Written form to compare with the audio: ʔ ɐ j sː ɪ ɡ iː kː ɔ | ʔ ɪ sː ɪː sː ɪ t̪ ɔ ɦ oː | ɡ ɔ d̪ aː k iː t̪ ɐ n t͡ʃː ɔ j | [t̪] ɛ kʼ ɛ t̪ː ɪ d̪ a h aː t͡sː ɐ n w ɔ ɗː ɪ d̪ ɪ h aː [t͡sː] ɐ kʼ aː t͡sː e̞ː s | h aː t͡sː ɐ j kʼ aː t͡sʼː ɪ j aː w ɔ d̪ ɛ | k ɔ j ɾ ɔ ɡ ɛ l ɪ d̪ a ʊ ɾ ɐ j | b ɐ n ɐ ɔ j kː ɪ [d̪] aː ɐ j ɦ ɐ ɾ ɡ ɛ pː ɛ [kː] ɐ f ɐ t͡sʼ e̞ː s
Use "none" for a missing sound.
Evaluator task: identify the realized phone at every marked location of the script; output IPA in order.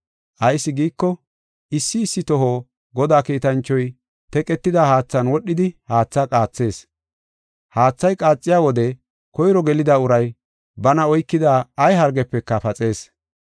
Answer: t̪, t͡sː, d̪, kː

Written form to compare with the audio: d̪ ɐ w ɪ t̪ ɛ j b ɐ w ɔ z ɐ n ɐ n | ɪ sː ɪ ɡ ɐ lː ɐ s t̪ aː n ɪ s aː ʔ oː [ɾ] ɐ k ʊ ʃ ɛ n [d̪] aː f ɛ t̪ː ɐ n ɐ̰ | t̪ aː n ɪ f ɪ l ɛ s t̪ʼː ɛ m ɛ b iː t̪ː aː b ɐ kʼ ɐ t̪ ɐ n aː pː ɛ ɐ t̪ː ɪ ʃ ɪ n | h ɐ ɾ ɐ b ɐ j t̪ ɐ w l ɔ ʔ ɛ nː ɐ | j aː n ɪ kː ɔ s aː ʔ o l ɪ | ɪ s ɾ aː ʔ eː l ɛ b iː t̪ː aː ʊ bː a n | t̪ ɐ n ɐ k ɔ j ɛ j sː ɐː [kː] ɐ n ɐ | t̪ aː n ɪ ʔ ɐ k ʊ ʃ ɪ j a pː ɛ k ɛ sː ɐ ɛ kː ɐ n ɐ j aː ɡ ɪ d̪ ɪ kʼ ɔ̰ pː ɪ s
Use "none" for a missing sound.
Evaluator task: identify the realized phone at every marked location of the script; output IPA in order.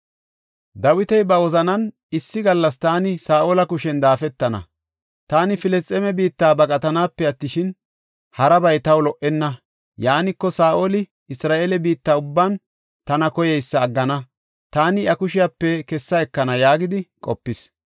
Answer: l, d̪, ɡː

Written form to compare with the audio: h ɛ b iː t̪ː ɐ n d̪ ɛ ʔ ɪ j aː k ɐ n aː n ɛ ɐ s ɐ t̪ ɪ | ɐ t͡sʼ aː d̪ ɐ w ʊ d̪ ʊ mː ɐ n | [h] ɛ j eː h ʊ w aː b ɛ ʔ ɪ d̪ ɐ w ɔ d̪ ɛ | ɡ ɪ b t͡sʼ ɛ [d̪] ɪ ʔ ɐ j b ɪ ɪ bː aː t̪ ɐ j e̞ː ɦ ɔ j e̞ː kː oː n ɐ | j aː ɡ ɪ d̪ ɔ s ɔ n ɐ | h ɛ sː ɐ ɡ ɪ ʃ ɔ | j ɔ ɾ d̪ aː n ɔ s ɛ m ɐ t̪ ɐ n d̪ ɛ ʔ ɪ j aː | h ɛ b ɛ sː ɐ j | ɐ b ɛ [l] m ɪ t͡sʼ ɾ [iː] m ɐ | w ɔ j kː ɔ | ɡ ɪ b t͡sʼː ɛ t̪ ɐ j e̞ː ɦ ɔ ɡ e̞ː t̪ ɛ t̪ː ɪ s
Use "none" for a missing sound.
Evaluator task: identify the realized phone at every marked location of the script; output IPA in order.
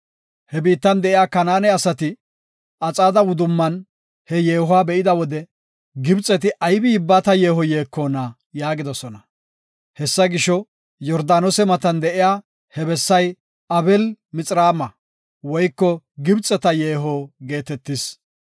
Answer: h, t̪, l, aː

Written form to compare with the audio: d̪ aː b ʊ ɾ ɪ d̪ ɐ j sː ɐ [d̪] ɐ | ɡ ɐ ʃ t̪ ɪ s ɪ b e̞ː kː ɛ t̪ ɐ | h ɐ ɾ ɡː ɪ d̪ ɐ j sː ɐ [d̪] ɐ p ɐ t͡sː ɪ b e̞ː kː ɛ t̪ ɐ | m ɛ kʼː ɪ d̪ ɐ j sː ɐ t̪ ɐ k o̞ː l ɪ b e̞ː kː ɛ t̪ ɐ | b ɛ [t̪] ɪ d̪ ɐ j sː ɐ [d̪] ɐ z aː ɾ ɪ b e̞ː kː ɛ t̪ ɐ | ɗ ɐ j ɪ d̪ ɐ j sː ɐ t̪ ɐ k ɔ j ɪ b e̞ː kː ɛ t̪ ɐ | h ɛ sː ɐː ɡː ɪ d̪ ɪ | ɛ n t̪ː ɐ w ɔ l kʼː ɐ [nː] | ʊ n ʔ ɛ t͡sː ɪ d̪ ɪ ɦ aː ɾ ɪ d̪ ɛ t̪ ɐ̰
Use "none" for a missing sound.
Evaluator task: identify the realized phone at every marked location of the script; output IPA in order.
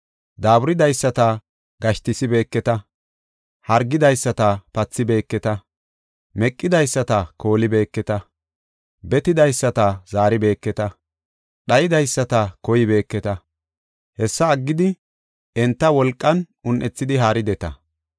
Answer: t̪, t̪, t̪, t̪, n

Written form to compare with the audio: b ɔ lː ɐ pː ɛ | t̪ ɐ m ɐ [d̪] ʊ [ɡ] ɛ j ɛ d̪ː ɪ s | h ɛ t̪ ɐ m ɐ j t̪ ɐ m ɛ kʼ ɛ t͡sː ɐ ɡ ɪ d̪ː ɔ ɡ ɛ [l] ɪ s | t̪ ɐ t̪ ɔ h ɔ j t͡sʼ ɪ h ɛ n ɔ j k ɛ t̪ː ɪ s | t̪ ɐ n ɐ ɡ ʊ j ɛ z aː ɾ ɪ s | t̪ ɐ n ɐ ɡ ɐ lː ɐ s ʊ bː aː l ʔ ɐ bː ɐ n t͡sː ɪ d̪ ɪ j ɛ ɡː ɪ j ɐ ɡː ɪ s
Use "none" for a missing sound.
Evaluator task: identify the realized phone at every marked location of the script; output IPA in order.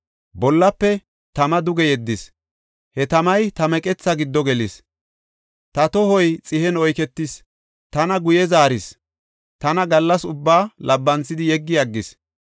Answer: d̪, ɡ, l

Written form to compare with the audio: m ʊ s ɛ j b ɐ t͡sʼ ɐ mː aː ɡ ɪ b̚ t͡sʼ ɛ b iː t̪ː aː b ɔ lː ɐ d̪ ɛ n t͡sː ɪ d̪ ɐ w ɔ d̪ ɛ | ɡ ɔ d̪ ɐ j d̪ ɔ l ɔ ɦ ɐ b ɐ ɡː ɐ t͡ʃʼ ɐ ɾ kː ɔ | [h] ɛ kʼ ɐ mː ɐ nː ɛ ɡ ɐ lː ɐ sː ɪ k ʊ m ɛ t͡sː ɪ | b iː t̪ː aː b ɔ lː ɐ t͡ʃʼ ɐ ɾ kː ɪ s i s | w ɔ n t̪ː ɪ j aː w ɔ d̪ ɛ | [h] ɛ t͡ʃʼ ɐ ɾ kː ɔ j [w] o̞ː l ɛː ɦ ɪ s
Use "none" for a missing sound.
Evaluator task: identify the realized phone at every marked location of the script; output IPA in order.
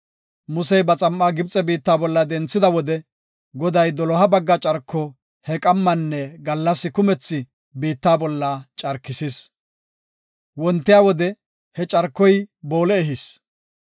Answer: h, h, b

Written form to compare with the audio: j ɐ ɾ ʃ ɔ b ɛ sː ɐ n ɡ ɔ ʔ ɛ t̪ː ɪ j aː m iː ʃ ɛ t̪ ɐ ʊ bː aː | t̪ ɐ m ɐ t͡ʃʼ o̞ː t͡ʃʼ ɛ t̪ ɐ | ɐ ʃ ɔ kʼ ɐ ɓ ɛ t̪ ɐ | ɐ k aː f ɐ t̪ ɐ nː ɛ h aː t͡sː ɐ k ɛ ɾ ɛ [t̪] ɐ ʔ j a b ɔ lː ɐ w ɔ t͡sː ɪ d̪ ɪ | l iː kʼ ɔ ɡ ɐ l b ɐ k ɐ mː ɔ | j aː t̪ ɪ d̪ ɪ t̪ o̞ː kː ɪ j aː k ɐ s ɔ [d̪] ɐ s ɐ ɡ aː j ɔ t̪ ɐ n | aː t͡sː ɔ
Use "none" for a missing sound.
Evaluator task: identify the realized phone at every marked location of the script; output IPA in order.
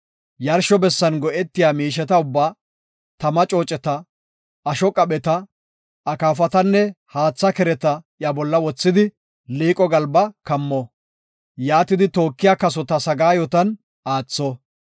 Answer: t̪, t̪

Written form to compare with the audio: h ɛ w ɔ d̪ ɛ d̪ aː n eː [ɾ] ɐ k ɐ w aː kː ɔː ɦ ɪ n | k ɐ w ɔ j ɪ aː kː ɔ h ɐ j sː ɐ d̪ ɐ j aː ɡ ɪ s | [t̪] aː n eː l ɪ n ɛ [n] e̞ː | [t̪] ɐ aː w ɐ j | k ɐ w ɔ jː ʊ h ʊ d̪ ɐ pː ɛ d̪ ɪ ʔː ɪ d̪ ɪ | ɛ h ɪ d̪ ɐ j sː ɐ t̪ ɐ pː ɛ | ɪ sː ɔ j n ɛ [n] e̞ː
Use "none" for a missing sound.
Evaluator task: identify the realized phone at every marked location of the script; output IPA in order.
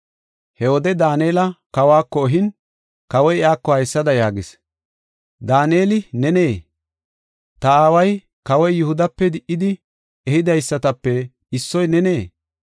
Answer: l, d̪, n, t̪, n

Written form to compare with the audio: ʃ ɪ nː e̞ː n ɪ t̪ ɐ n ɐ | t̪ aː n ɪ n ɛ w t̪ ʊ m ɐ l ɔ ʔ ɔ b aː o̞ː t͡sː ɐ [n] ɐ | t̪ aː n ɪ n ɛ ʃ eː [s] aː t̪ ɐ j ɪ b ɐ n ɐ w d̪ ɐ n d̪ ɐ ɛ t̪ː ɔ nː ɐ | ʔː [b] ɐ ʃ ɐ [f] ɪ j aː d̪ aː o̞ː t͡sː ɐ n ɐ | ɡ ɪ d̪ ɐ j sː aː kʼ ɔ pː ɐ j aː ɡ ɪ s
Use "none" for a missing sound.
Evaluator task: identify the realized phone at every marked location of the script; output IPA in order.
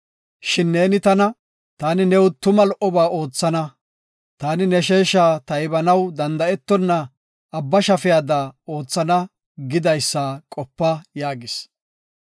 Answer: n, ʃ, bː, f

